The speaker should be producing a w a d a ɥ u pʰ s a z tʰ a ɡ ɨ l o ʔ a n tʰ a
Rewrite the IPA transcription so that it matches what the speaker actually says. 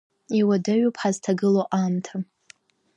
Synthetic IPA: i w a d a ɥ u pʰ ħ a z tʰ a ɡ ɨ l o ʔ a m tʰ a